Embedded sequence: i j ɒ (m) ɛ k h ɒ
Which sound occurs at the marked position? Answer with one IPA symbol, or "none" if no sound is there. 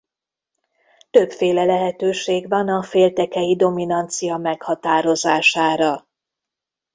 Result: m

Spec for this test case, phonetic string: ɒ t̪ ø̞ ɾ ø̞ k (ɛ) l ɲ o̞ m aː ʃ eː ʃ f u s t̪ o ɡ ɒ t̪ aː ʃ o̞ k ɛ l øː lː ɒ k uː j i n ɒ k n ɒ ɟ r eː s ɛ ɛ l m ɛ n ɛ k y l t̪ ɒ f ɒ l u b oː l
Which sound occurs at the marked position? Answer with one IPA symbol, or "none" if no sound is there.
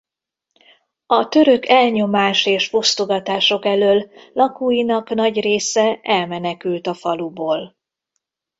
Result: ɛ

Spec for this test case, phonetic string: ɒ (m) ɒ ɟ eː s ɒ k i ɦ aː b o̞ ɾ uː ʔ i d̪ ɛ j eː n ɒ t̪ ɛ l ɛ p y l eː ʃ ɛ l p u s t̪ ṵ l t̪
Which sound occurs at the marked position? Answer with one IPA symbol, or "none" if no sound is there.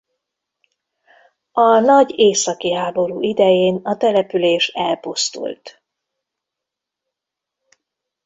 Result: n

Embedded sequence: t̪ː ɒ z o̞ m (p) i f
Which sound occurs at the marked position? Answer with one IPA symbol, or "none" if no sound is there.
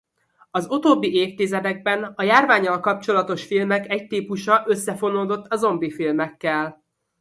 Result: b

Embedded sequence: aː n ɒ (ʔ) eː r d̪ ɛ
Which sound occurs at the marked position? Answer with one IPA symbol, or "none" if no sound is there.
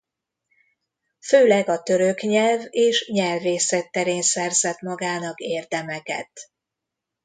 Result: k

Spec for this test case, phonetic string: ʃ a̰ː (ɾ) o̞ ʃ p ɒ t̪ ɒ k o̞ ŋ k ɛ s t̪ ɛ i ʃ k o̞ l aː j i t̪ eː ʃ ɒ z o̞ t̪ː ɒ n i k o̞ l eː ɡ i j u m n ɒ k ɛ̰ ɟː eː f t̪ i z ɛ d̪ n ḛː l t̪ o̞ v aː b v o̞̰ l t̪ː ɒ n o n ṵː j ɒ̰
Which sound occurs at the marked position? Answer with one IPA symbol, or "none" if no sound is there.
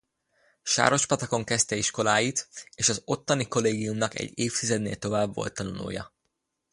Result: ɾ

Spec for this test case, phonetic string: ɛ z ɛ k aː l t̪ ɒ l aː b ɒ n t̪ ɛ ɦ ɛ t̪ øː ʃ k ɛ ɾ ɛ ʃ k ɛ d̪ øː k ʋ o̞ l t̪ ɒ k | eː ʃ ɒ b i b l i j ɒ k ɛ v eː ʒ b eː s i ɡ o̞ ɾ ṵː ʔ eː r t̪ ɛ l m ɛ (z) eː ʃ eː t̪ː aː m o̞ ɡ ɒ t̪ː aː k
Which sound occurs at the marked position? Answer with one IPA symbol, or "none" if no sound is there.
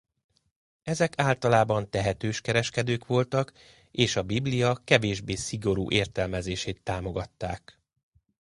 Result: z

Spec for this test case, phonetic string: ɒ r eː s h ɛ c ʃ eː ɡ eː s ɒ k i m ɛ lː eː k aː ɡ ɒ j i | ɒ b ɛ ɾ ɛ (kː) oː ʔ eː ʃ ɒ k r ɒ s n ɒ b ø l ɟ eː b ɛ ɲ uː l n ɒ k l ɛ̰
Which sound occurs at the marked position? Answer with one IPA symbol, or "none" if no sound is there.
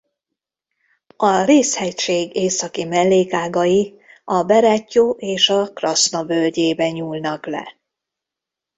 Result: cː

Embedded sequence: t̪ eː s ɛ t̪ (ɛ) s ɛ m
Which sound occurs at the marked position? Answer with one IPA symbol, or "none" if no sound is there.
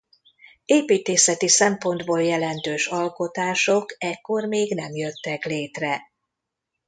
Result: i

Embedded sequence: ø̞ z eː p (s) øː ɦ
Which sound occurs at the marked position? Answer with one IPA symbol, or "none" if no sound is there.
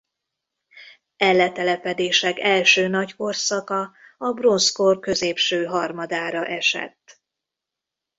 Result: ʃ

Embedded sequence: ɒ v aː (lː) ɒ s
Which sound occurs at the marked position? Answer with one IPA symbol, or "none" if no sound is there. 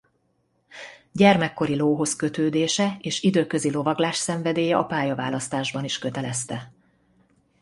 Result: l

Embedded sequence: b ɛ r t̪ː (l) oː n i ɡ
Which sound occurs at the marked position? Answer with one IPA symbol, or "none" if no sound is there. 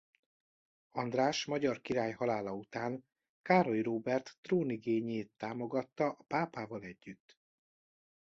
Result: r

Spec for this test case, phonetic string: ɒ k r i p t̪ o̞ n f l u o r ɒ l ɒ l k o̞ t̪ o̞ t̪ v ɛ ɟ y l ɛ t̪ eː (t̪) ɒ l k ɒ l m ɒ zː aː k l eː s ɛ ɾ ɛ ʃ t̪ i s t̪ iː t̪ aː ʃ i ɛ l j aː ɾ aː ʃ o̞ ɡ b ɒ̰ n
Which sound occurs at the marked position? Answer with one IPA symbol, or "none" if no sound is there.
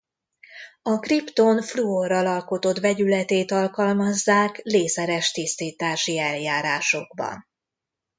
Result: t̪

